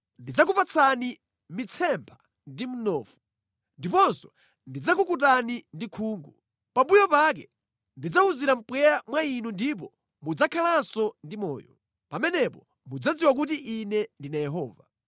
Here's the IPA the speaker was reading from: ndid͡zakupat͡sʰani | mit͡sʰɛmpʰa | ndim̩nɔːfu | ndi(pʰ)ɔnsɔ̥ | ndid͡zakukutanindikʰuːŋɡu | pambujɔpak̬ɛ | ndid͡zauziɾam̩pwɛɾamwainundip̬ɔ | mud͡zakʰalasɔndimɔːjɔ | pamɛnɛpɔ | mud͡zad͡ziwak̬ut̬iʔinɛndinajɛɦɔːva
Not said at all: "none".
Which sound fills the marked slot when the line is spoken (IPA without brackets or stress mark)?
p